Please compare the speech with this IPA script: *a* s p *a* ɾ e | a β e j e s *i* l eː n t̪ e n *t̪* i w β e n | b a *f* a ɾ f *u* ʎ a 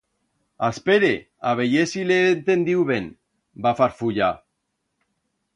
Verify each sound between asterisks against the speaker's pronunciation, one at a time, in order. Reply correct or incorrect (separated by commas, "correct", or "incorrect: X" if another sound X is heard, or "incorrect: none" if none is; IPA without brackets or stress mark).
correct, incorrect: e, correct, incorrect: d̪, correct, correct